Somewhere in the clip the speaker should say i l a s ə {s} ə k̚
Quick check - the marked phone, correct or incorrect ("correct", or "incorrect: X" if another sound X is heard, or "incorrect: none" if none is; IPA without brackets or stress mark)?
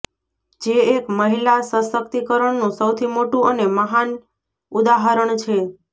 correct